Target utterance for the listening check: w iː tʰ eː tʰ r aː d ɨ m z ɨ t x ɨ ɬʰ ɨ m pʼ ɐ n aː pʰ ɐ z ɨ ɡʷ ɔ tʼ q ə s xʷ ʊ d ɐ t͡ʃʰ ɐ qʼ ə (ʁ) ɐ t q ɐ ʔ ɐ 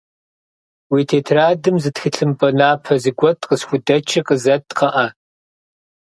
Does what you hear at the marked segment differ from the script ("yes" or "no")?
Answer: yes